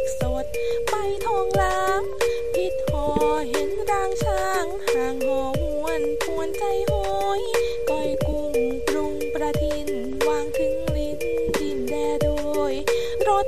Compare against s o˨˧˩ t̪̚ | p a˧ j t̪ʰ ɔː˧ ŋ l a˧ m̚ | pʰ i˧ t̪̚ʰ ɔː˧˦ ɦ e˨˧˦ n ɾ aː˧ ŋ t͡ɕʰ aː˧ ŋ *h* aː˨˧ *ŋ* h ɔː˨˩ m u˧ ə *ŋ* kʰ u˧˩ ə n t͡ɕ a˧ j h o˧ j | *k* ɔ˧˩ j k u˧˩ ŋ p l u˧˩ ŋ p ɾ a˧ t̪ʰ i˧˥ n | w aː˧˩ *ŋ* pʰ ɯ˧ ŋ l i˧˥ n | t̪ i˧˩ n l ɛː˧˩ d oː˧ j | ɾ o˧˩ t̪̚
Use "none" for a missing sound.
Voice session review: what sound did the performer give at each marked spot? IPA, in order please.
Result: h, ŋ, n, k, ŋ

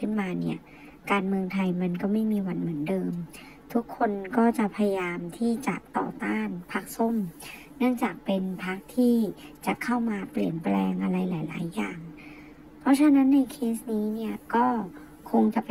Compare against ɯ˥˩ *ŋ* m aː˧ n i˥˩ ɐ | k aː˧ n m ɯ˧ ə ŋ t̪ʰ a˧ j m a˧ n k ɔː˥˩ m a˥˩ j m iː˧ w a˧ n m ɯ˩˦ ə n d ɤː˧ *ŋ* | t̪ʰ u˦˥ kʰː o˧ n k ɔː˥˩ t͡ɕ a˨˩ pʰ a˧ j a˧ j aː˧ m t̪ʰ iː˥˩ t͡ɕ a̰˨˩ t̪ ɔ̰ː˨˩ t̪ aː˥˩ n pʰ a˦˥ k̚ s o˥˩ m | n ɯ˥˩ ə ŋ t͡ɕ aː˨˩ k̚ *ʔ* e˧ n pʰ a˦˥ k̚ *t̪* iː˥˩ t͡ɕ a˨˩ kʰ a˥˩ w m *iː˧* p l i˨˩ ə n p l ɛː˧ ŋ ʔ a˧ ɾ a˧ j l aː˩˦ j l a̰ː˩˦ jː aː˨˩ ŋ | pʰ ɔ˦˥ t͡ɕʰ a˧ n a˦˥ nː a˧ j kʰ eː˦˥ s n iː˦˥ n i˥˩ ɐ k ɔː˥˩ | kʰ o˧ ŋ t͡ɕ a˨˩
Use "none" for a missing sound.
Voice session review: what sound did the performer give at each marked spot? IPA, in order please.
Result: n, m, p, t̪ʰ, aː˧

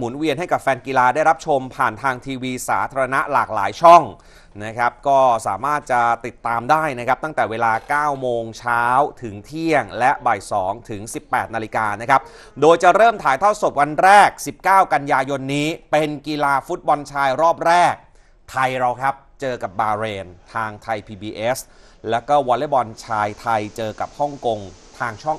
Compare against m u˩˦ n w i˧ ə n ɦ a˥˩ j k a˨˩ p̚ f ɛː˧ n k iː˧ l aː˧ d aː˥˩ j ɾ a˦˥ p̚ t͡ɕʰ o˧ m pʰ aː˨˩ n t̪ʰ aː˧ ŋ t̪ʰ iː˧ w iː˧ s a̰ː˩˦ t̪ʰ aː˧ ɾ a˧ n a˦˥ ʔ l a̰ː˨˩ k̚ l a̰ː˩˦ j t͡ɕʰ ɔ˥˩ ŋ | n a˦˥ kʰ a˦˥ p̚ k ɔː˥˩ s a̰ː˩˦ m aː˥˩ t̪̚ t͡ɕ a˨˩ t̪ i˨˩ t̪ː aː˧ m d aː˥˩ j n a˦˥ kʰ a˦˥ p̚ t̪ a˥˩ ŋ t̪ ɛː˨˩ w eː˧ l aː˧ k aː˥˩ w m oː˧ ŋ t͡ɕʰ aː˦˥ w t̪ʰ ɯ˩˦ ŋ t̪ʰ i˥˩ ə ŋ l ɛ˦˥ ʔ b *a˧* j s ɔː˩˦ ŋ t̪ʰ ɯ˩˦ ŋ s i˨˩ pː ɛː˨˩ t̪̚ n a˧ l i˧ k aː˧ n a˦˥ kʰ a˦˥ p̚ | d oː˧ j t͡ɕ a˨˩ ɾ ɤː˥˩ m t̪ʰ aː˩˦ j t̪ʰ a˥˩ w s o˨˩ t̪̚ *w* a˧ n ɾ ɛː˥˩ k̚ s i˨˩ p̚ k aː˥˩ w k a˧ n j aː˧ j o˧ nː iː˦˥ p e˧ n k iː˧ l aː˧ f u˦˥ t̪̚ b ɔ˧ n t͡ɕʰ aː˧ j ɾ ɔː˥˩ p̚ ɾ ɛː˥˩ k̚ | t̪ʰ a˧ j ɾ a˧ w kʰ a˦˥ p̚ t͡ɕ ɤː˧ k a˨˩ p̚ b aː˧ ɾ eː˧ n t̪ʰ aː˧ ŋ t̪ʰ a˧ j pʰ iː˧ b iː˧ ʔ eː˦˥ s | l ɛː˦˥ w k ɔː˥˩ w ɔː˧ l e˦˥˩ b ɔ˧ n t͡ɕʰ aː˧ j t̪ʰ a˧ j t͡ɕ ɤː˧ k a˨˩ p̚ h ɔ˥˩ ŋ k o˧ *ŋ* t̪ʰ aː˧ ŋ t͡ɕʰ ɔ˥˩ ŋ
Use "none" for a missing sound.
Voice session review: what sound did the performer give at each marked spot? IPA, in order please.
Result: a˨˩, w, ŋ

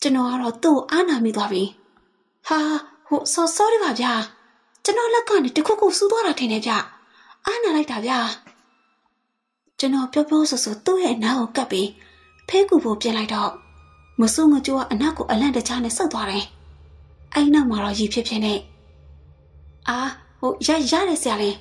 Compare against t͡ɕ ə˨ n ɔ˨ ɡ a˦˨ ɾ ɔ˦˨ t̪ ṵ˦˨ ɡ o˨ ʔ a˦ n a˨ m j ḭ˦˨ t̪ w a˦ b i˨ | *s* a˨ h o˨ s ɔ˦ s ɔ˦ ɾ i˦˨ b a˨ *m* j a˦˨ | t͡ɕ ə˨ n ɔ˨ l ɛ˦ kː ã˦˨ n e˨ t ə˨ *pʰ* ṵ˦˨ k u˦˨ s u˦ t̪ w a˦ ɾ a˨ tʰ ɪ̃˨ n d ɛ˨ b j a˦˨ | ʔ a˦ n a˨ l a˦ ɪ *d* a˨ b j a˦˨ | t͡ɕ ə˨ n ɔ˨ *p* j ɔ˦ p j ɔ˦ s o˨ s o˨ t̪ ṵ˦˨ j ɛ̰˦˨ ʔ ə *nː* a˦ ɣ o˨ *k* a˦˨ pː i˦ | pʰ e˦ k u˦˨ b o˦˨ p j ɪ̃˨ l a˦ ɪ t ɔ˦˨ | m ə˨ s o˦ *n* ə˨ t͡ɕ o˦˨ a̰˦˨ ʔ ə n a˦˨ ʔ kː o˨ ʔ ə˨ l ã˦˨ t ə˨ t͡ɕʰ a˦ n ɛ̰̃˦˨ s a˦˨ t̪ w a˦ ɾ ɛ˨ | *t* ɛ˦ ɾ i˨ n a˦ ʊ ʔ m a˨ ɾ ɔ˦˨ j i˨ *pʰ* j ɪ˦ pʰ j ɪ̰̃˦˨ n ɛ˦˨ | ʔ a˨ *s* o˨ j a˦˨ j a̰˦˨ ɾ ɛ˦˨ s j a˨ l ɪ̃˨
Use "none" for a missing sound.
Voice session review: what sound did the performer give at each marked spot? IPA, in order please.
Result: h, b, kʰ, t, p, n, k, ŋ, ʔ, pʰ, h

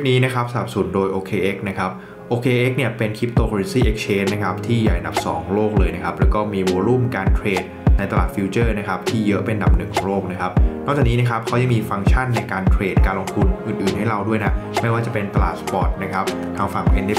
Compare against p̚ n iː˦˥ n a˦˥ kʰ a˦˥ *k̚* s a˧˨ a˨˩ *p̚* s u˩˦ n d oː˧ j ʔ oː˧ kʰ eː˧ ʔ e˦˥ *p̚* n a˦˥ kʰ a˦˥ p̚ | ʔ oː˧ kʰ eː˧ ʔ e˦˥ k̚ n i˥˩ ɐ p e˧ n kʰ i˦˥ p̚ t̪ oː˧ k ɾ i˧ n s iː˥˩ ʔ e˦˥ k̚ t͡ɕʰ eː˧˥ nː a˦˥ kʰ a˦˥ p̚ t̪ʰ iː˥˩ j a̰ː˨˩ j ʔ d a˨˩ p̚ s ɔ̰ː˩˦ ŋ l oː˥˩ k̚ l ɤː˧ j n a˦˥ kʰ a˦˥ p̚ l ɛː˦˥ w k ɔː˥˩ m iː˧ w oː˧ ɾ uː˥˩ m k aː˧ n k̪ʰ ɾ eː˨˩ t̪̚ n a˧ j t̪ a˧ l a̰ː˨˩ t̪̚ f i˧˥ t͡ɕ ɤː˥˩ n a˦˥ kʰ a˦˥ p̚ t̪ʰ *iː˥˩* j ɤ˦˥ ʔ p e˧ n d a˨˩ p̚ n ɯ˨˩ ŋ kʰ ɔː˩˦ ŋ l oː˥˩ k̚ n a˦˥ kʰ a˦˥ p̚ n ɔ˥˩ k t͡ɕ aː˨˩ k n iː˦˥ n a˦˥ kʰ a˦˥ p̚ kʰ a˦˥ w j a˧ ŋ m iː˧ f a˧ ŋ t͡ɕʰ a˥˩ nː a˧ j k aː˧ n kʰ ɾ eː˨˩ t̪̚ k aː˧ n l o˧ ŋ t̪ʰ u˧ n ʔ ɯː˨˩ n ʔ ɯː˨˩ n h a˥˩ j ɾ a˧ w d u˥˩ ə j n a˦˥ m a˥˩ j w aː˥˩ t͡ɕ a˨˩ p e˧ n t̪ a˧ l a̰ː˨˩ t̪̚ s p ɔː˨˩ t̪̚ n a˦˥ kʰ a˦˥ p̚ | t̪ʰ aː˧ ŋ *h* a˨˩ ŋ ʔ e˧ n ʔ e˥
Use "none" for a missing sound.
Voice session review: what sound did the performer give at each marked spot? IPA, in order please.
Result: p̚, p̚, k̚, iː˥˩, f

